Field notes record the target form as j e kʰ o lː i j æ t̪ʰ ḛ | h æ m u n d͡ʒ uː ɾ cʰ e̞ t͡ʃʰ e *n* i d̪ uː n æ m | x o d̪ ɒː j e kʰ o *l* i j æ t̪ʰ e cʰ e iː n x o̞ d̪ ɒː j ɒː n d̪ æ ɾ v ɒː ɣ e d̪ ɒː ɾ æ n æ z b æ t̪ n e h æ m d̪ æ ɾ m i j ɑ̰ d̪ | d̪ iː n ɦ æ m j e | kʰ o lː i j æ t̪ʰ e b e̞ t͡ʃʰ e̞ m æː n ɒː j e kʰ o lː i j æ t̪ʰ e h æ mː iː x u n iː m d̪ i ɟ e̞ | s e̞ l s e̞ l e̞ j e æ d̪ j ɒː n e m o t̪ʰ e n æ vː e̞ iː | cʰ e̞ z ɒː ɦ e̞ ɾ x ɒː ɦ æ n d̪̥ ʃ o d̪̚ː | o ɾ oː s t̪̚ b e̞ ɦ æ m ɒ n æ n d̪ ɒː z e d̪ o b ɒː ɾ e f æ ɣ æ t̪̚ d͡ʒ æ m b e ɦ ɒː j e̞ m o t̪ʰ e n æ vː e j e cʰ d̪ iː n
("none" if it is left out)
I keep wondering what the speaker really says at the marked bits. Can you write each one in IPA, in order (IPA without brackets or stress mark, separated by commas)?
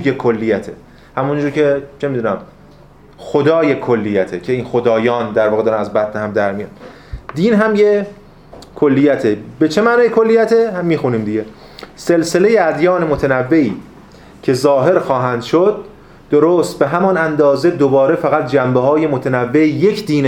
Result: m, lː